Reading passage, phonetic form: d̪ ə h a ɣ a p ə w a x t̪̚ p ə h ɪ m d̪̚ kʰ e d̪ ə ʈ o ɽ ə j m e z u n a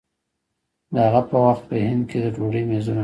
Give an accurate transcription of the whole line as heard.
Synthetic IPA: d̪ ə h a ɣ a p ə w a x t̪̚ p ə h ɪ n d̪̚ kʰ e d̪ ə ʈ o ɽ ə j m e z u n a